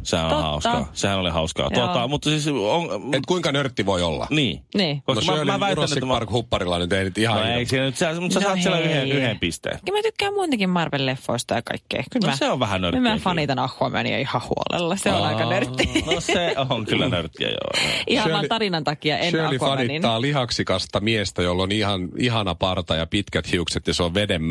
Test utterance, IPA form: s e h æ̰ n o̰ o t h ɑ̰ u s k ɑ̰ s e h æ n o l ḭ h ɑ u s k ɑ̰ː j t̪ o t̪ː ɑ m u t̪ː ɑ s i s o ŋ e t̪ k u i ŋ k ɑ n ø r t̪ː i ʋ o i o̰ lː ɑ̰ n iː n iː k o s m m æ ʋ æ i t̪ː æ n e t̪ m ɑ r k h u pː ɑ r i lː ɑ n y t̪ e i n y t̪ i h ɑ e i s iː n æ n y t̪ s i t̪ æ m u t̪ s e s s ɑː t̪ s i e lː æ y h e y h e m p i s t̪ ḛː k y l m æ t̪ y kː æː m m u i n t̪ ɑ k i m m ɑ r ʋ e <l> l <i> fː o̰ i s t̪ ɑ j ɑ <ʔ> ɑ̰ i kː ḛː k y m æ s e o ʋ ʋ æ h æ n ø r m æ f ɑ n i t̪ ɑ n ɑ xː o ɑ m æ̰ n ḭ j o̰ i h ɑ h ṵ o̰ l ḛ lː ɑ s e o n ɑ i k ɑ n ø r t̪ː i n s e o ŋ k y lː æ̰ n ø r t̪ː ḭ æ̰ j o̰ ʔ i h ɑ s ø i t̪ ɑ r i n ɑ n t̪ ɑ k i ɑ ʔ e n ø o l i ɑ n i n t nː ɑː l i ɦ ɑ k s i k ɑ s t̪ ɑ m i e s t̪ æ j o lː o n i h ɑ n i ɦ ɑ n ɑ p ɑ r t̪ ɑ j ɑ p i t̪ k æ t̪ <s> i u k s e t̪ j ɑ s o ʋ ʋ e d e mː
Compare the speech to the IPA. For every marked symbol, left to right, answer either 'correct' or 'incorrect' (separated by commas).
correct, incorrect, incorrect, incorrect